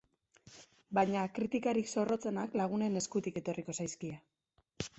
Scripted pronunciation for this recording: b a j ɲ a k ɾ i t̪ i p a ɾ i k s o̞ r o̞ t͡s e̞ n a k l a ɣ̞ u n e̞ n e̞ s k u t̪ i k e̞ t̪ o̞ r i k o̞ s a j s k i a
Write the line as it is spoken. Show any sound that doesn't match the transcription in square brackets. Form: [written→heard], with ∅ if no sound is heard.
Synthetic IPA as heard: b a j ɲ a k ɾ i t̪ i [p→k] a ɾ i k s o̞ r o̞ t͡s e̞ n a k l a ɣ̞ u n e̞ n e̞ s k u t̪ i k e̞ t̪ o̞ r i k o̞ s a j s k i a